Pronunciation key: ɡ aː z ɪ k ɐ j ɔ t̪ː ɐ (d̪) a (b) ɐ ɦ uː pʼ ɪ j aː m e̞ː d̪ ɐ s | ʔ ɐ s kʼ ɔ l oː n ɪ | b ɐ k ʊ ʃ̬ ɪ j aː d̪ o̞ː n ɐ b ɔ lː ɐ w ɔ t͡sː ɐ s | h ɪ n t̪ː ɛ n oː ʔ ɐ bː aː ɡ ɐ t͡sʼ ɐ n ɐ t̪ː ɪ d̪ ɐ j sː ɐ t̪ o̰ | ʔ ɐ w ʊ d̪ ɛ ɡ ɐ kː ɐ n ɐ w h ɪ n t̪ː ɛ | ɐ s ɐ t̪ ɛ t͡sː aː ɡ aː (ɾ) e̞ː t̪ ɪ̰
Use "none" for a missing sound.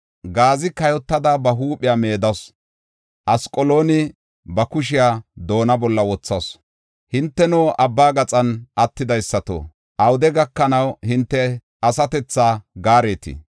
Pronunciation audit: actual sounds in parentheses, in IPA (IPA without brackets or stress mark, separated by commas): d̪, b, ɾ